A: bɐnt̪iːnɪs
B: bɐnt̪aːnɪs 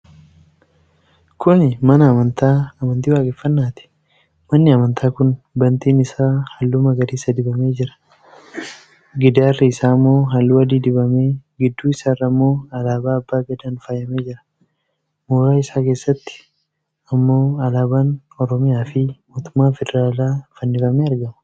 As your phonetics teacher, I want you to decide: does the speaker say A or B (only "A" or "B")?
A